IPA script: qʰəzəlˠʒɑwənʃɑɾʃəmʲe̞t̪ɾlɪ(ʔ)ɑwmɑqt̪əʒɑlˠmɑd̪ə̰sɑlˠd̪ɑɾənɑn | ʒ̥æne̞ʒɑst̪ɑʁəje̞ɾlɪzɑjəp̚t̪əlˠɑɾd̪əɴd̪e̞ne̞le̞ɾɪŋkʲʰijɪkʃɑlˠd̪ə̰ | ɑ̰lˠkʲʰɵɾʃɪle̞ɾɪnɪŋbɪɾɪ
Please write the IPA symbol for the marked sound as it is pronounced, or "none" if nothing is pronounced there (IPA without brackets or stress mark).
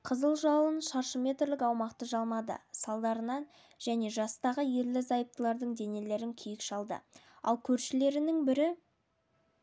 k